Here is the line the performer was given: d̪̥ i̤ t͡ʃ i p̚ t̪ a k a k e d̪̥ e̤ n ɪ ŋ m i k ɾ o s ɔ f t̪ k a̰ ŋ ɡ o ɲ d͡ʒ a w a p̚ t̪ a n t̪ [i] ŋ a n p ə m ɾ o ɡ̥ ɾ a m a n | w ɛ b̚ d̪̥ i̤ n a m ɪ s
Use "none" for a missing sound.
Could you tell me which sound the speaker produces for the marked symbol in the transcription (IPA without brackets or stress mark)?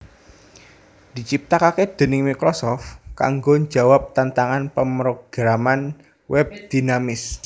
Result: a